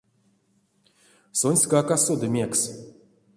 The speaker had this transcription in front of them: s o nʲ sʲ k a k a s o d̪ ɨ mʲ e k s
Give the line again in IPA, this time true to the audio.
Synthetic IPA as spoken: s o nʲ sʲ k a k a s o d̪ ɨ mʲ e k s